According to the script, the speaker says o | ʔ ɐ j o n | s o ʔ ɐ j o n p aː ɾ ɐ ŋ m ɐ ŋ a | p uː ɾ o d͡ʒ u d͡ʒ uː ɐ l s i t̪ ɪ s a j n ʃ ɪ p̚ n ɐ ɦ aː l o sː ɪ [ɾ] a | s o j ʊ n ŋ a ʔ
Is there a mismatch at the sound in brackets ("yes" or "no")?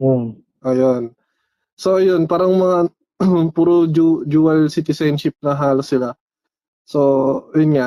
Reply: yes